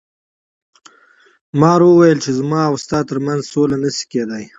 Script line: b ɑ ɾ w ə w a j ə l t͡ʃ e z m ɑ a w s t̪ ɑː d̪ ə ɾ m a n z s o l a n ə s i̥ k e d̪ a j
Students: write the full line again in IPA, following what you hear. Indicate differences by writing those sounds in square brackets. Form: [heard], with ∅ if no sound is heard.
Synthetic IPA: [m] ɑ ɾ w ə w a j ə l t͡ʃ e z m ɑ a w s t̪ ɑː [t̪] ə ɾ m a n z s o l a n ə s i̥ k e d̪ a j

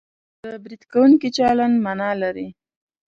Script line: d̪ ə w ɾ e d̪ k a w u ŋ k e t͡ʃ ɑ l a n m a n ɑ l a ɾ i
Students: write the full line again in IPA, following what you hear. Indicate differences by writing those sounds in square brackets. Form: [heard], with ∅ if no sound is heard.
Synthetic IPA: d̪ ə [b] ɾ [i] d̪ k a w u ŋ k [i] t͡ʃ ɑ l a n m a n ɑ l a ɾ i

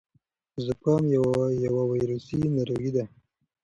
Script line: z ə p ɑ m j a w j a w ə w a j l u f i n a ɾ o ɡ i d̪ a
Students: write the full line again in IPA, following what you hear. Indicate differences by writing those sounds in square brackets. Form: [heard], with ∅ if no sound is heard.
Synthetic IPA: z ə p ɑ m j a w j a w [a] w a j [ɾ] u [s] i n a ɾ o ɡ i d̪ a

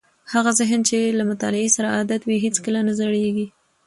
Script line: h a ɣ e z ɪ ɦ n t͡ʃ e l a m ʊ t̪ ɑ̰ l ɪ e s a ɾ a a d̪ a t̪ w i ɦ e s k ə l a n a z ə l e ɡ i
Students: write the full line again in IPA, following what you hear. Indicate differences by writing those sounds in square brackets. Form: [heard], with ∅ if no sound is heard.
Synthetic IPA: h a ɣ [a] z ɪ ɦ n t͡ʃ e l a m ʊ t̪ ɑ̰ l ɪ e s a ɾ a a d̪ a t̪ w i ɦ e [t͡s] k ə l a n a z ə [ɽ] e ɡ i

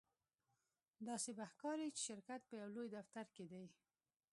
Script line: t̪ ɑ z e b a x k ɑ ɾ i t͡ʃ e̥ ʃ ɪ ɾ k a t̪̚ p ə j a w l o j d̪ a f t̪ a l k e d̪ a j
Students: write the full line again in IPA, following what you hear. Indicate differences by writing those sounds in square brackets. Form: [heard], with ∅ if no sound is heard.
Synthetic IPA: [d̪] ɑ [s] e b a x k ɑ ɾ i t͡ʃ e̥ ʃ ɪ ɾ k a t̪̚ p ə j a w l o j d̪ a f t̪ a [ɾ] k e d̪ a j

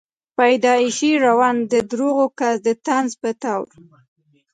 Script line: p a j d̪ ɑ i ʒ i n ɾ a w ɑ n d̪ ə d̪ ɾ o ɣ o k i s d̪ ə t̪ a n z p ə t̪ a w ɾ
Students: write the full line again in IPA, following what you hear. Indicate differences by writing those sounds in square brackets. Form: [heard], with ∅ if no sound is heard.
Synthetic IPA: p a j d̪ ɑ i [ʃ] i [∅] ɾ a w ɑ n d̪ ə d̪ ɾ o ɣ o k [a] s d̪ ə t̪ a n z p ə t̪ a w ɾ

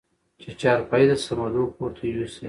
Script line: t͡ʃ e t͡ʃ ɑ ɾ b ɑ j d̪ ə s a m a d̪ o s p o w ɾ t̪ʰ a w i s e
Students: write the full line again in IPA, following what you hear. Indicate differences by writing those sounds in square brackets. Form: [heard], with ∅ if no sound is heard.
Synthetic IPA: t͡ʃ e t͡ʃ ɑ ɾ [p] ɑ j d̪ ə s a m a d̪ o [∅] p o [∅] ɾ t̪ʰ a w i s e

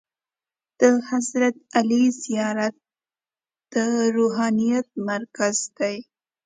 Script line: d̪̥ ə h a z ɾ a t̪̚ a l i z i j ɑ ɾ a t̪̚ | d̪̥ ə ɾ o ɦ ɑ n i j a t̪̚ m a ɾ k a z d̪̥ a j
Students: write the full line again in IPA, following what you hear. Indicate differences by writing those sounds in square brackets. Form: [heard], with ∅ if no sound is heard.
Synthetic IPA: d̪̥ ə h a z ɾ a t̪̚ a l i z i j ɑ ɾ a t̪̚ | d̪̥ ə ɾ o ɦ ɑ n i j a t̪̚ m a ɾ k a z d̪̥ a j

